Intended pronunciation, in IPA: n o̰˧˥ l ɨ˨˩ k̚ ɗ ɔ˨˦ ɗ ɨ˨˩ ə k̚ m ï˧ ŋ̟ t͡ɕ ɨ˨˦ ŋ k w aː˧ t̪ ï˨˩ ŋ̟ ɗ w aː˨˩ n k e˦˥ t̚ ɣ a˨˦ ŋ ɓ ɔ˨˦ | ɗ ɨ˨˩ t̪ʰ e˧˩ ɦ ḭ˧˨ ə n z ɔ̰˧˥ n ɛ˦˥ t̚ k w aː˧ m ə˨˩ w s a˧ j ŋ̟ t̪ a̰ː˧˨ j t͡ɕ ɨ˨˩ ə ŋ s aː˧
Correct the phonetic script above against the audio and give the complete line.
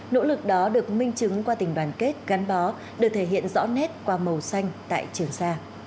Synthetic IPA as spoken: n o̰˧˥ l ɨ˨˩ k̚ ɗ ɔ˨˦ ɗ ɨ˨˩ ə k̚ m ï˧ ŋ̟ t͡ɕ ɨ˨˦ ŋ k w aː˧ t̪ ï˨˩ ŋ̟ ɗ w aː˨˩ n k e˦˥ t̚ ɣ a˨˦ n ɓ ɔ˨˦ | ɗ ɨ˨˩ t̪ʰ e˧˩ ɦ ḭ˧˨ ə n z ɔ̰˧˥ n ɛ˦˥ t̚ k w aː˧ m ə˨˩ w s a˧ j ŋ̟ t̪ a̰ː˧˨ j t͡ɕ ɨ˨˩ ə ŋ s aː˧

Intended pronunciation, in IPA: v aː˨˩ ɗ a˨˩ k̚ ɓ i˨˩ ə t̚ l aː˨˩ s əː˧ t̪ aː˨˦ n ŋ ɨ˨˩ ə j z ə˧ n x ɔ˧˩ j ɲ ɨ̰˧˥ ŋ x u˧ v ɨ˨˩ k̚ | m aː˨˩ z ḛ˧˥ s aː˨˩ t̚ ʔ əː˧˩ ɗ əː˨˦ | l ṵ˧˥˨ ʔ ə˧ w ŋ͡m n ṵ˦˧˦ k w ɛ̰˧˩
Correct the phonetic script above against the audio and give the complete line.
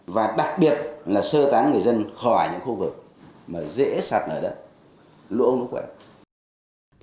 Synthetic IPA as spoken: v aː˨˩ ɗ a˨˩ k̚ ɓ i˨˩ ə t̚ l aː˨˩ s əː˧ t̪ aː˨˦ n ŋ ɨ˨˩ ə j z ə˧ n x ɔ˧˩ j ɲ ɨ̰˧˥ ŋ x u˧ v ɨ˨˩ k̚ | m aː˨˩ z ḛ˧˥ s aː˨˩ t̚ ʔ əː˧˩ ɗ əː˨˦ | l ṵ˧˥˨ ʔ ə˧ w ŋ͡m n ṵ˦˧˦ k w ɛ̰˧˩

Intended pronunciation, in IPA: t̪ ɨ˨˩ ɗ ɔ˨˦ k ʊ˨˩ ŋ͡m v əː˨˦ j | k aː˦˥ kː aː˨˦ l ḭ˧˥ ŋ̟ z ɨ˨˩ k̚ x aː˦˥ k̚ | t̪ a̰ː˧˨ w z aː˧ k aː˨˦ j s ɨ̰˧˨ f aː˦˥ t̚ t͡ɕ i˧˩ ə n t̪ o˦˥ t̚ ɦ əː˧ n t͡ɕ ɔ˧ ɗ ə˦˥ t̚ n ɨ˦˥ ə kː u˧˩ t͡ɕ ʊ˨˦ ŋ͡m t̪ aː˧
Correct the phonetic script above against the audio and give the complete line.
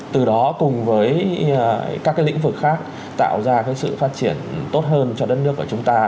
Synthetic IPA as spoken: t̪ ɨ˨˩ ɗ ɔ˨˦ k ʊ˨˩ ŋ͡m v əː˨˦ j | k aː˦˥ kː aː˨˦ l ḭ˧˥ ŋ̟ v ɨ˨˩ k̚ x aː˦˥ k̚ | t̪ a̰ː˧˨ w z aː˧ k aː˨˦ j s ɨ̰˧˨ f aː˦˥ t̚ t͡ɕ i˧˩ ə n t̪ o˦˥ t̚ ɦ əː˧ n t͡ɕ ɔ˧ ɗ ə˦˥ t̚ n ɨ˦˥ ə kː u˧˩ t͡ɕ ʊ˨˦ ŋ͡m t̪ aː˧

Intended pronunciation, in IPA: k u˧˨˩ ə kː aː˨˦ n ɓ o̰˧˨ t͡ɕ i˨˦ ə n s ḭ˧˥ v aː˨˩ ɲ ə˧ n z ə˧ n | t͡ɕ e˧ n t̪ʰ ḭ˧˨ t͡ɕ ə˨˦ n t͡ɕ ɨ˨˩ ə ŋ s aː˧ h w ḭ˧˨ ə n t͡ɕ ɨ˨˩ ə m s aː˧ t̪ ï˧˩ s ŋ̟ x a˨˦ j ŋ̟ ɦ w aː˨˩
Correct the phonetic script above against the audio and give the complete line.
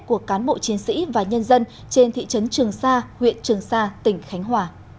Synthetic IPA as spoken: k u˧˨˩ ə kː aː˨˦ n ɓ o̰˧˨ t͡ɕ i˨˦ ə n s ḭ˧˥ v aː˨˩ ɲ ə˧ n z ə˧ n | t͡ɕ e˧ n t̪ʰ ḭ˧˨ t͡ɕ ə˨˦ n t͡ɕ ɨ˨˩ ə ŋ s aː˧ h w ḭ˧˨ ə n t͡ɕ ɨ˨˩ ə ŋ s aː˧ t̪ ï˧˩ ŋ̟ x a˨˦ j ŋ̟ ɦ w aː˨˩

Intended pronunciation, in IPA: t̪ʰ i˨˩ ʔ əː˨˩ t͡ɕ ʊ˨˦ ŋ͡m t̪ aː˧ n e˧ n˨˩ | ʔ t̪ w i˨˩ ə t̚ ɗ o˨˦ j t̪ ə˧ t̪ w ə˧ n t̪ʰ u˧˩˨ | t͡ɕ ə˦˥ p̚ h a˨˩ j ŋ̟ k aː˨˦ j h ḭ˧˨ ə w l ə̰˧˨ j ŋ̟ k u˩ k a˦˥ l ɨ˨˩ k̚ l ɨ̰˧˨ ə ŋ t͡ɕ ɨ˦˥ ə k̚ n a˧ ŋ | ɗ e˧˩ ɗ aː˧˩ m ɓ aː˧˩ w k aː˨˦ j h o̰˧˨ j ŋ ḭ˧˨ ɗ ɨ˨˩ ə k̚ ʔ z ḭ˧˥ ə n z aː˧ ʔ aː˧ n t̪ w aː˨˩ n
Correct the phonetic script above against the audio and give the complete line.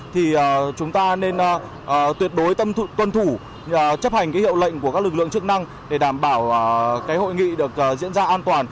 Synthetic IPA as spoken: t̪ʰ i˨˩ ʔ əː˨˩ t͡ɕ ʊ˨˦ ŋ͡m t̪ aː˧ n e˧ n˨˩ | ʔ t̪ w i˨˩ ə t̚ ɗ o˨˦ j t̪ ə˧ t̪ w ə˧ n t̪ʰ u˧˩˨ | t͡ɕ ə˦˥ p̚ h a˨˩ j ŋ̟ k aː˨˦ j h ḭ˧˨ ə w l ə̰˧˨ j ŋ̟ k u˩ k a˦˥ l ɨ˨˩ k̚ l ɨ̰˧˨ ə ŋ t͡ɕ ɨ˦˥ ə k̚ n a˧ ŋ | ɗ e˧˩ ɗ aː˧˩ m ɓ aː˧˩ w k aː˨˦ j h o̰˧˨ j ŋ ḭ˧˨ ɗ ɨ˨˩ ə k̚ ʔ z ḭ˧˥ ə n z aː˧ ʔ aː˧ n t̪ w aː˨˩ n

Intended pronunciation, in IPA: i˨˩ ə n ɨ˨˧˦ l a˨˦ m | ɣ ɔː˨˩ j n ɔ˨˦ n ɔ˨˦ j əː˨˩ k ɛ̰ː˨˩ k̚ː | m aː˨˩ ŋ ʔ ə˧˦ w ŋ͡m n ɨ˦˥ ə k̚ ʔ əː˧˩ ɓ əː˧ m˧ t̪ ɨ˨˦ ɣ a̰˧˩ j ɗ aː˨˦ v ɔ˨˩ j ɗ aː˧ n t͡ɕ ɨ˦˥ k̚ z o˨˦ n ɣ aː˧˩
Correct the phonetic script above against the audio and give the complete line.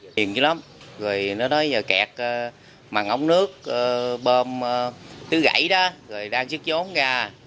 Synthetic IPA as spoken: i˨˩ ə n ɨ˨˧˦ l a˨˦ m | ɣ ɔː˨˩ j n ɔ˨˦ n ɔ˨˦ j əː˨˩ k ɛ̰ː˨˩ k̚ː | m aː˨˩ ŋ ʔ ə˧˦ w ŋ͡m n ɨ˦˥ ə k̚ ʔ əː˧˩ ɓ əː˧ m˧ t̪ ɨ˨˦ ɣ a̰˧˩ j ɗ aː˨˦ ɣ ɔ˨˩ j ɗ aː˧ ŋ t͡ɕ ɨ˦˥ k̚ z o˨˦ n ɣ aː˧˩

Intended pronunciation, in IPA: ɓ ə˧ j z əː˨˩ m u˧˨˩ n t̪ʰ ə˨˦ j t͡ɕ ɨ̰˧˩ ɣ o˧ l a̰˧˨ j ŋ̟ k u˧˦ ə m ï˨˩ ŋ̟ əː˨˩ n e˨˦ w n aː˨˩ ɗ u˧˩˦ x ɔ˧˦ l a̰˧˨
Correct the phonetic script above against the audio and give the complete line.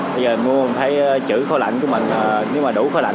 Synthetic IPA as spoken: ɓ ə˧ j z əː˨˩ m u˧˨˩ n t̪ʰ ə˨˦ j t͡ɕ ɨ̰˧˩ x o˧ l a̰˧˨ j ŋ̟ k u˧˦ ə m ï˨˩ ŋ̟ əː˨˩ n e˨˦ w m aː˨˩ ɗ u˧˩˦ x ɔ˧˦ l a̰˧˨

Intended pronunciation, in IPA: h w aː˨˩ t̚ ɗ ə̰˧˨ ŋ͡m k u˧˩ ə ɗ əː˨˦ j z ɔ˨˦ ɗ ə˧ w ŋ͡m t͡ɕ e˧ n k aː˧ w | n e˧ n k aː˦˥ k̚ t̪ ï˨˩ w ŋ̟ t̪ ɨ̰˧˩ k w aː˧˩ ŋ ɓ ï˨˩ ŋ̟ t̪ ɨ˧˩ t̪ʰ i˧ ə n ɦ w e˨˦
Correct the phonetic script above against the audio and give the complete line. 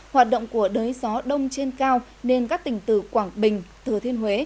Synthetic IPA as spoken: h w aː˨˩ t̚ ɗ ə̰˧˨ ŋ͡m k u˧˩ ə ɗ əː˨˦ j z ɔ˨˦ ɗ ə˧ w ŋ͡m t͡ɕ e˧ n k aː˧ w | n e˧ n k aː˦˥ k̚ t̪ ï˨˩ ŋ̟ t̪ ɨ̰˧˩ k w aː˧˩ ŋ ɓ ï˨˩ ŋ̟ t̪ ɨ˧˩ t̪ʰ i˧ ə n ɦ w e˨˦

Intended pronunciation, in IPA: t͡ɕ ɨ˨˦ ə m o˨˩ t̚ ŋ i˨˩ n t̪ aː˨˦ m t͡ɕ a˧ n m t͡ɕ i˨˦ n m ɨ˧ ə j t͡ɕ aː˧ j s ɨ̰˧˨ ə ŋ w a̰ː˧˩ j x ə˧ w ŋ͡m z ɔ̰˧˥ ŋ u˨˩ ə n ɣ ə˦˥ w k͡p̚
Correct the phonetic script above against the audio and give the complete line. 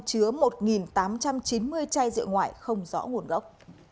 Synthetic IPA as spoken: t͡ɕ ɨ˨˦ ə m o˨˩ t̚ ŋ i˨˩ n t̪ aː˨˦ m t͡ɕ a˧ m t͡ɕ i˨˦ n m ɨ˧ ə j t͡ɕ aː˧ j z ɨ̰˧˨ ə ŋ w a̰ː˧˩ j x ə˧ w ŋ͡m z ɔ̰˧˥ ŋ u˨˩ ə n ɣ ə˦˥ w k͡p̚

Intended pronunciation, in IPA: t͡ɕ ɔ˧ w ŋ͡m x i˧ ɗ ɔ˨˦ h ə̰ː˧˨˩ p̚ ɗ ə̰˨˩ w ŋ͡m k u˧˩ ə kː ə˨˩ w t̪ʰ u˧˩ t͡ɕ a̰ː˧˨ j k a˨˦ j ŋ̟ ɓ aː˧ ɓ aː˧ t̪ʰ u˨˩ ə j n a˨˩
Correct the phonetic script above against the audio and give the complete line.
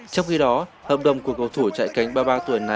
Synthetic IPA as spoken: t͡ɕ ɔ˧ w ŋ͡m x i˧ ɗ ɔ˨˦ h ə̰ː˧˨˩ p̚ ɗ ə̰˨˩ w ŋ͡m k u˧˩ ə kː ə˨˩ w t̪ʰ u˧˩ t͡ɕ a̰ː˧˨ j k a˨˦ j ŋ̟ ɓ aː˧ ɓ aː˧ t̪ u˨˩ ə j n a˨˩

